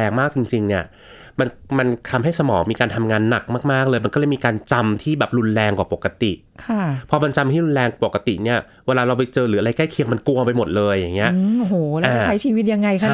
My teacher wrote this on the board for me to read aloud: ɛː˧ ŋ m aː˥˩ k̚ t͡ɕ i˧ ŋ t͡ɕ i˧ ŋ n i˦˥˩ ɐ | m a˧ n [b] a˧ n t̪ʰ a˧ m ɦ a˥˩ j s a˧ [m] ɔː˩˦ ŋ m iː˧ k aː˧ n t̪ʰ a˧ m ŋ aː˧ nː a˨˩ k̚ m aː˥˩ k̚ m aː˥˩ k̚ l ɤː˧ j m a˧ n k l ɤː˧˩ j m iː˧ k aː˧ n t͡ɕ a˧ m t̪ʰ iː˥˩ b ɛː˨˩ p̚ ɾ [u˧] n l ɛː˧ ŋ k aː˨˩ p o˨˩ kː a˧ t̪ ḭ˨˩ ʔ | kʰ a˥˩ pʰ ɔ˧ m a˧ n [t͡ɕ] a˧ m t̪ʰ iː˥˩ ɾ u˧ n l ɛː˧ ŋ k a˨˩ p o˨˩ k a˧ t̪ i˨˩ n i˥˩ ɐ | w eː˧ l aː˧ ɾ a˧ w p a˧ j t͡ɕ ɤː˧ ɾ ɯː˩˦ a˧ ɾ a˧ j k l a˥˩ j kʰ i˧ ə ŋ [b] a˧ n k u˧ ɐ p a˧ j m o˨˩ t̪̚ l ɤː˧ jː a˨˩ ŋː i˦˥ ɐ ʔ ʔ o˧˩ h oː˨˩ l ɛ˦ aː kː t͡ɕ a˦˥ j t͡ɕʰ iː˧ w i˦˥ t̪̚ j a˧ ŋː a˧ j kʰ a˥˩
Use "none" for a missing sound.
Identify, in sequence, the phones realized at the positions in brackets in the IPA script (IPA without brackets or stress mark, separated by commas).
m, m, u˧, t͡ɕ, m